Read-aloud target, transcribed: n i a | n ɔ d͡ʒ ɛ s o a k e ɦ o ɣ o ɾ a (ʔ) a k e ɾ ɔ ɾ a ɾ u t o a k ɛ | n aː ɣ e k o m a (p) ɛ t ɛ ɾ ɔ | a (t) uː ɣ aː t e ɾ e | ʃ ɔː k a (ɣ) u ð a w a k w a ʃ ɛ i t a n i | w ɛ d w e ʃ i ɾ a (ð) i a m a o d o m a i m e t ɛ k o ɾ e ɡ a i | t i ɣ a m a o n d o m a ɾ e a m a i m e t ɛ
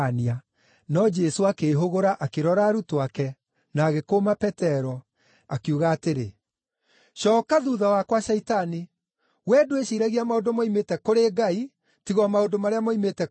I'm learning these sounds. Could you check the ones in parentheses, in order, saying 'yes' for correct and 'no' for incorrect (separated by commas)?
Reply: yes, yes, no, no, no